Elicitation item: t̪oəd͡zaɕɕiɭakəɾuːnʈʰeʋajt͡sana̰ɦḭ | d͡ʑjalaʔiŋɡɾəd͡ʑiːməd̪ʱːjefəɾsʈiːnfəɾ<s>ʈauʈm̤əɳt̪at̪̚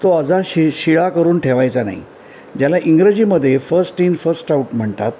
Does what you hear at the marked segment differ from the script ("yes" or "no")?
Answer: no